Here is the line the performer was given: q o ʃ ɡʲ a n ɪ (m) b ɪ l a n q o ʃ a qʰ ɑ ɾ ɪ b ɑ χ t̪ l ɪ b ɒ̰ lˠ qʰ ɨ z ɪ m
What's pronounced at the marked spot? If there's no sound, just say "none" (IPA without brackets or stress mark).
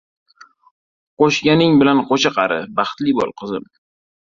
ŋ